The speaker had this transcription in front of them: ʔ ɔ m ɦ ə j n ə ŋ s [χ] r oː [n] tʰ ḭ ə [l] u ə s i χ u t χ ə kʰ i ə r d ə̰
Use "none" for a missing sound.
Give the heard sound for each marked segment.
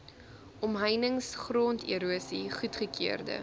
χ, n, ɾ

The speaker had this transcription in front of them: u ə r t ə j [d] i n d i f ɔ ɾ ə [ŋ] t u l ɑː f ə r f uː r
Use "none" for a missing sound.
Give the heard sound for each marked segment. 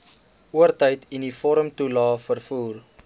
t, m

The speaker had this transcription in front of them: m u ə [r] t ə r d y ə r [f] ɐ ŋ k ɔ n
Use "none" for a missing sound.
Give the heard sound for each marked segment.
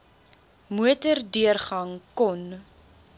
none, χ

